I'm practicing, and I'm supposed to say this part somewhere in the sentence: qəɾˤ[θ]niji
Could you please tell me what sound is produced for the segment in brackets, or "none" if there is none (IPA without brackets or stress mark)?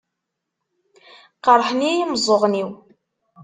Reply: ħ